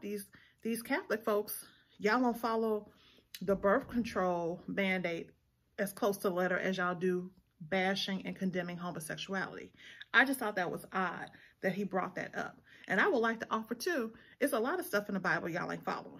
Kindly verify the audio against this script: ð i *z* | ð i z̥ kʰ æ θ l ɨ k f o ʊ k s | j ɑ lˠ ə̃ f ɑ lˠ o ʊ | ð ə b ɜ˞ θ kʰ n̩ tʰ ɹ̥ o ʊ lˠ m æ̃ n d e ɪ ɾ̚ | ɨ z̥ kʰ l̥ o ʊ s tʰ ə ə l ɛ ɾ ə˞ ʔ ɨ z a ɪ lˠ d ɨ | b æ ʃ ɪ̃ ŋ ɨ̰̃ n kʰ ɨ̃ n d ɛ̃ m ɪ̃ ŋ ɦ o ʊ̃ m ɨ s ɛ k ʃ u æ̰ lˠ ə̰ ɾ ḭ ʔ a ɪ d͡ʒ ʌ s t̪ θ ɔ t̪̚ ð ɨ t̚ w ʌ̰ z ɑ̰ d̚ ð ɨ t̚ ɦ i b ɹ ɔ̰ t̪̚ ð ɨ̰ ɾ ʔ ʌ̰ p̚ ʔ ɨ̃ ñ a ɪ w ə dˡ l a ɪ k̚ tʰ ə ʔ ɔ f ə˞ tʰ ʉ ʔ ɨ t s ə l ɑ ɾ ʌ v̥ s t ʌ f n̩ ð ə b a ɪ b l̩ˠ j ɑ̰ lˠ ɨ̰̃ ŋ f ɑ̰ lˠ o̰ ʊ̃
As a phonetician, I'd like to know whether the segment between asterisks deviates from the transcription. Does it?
no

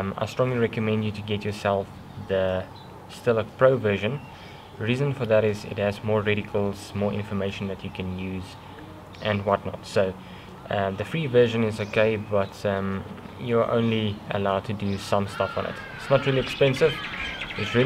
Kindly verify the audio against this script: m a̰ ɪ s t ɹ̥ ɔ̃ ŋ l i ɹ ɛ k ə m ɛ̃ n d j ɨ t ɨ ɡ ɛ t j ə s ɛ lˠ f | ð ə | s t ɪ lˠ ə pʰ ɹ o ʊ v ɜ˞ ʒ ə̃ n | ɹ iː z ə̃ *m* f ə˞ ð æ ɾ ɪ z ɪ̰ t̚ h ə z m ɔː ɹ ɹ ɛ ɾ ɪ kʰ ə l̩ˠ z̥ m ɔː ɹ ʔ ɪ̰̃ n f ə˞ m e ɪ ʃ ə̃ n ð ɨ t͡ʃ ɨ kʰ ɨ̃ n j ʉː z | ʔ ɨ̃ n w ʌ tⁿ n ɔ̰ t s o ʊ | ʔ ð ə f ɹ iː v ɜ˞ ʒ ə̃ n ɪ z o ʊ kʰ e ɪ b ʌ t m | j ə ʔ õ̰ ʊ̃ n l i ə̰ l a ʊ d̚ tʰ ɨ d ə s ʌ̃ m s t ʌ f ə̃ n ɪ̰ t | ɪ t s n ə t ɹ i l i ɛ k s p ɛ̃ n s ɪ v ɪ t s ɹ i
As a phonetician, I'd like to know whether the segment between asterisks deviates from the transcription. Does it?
yes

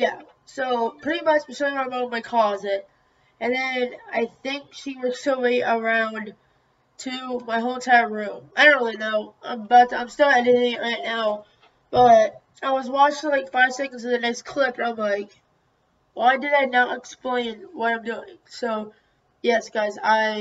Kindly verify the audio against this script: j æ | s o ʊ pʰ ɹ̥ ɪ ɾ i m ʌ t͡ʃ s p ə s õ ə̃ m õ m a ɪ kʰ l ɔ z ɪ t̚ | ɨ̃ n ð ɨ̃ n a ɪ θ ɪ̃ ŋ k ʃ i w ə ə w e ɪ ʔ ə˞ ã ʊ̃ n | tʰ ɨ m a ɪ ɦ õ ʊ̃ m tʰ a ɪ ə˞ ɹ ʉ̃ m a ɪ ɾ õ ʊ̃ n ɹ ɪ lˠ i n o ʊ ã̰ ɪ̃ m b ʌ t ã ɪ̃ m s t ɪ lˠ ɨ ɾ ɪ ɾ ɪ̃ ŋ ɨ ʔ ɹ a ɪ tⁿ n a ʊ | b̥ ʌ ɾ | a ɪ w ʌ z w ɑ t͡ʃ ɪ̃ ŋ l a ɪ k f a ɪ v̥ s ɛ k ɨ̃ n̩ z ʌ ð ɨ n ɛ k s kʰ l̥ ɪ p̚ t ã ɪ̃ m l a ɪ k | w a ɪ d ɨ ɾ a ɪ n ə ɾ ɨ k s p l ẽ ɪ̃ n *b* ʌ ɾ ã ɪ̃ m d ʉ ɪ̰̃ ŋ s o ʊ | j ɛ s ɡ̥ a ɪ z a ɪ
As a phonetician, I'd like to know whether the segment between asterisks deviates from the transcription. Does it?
yes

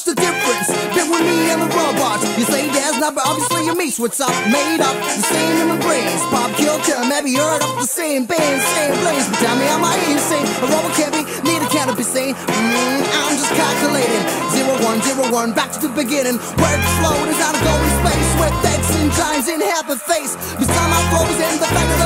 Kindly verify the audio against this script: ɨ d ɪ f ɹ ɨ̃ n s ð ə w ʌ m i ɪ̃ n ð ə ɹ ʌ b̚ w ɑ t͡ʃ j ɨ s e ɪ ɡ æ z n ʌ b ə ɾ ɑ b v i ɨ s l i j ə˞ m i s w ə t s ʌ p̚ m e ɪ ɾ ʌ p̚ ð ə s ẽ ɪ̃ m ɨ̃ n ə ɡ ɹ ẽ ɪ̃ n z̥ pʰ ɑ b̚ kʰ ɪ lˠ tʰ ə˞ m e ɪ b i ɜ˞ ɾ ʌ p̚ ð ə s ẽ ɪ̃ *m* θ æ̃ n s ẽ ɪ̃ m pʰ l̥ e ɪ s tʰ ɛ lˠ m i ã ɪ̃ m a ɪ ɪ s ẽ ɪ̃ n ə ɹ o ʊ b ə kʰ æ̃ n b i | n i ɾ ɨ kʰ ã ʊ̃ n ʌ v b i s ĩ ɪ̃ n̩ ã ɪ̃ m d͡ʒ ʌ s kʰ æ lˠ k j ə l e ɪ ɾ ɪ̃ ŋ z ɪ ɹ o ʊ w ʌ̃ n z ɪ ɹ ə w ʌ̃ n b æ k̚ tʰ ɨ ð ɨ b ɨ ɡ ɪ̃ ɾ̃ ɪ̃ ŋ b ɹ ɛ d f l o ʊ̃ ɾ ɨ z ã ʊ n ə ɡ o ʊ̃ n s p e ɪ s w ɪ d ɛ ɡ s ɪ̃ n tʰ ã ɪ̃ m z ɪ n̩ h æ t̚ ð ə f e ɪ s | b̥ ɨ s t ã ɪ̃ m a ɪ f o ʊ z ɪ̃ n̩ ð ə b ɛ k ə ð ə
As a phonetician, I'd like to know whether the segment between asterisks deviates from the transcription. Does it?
no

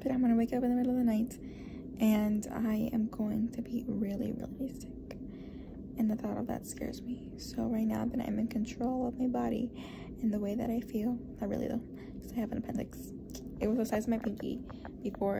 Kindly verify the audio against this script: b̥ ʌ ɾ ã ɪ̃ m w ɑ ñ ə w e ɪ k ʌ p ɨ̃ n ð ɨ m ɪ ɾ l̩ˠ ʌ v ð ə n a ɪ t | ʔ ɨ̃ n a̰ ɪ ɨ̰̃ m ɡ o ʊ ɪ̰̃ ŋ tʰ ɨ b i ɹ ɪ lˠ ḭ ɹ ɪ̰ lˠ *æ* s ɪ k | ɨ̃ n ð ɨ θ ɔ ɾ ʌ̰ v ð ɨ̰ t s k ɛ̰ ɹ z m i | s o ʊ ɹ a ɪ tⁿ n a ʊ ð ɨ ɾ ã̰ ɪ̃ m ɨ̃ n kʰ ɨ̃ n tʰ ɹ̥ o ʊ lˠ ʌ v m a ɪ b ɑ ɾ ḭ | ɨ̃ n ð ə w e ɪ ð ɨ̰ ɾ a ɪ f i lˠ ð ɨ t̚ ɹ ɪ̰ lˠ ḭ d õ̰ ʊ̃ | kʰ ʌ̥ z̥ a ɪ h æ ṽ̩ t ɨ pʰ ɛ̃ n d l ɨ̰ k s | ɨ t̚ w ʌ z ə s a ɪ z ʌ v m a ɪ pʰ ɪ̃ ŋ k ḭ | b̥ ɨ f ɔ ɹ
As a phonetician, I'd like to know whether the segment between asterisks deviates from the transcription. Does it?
yes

